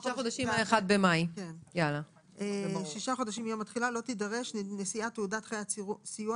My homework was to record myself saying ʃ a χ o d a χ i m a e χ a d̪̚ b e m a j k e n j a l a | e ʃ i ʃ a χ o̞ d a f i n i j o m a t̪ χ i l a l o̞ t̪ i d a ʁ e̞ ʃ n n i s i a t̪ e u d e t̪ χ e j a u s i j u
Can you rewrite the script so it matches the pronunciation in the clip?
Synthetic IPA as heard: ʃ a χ o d a ʃ i m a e χ a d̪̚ b e m a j k e n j a l a | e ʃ i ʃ a χ o̞ d a ʃ i m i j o m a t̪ χ i l a l o̞ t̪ i d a ʁ e̞ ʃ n n e s i a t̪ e u d a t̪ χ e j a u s i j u